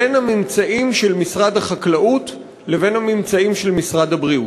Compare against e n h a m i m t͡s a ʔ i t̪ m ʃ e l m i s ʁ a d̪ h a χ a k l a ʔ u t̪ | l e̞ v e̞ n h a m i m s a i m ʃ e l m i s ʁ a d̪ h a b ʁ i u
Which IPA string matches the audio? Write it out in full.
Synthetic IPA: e n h a m i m t͡s a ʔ i m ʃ e l m i s ʁ a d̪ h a χ a k l a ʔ u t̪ | l e̞ v e̞ n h a m i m t͡s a i m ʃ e l m i s ʁ a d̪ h a b ʁ i u